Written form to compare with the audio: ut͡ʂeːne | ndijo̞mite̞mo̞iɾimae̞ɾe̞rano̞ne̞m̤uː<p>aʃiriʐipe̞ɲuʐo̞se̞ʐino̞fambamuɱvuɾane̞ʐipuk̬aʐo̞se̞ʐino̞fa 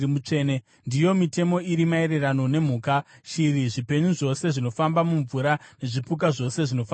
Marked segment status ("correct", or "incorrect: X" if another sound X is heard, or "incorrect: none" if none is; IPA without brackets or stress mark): incorrect: k